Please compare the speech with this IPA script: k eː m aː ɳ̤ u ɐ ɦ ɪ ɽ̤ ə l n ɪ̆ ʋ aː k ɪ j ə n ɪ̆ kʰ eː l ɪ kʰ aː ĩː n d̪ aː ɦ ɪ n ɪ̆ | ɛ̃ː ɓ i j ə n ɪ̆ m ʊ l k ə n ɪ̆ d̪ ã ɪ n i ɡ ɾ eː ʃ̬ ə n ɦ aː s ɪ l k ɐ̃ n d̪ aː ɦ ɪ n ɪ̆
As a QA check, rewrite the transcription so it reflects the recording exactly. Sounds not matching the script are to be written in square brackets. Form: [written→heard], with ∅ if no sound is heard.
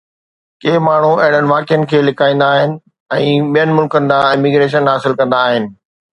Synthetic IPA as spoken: k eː m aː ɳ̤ u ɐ ɦ ɪ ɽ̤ ə [l→∅] n ɪ̆ ʋ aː k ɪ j ə n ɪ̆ kʰ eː l ɪ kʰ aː ĩː n d̪ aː ɦ ɪ n ɪ̆ | ɛ̃ː ɓ i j ə n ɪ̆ m ʊ l k ə n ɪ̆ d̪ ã ɪ [n→m] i ɡ ɾ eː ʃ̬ ə n ɦ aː s ɪ l k ɐ̃ n d̪ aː ɦ ɪ n ɪ̆